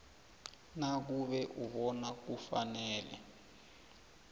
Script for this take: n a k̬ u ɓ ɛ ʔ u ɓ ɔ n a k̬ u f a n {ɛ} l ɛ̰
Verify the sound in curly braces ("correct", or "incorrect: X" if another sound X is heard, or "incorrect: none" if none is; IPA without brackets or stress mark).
incorrect: ɛː